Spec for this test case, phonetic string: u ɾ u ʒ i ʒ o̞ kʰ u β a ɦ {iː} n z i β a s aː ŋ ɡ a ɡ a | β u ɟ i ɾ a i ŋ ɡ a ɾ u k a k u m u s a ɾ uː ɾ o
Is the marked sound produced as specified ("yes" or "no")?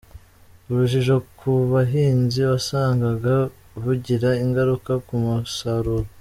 yes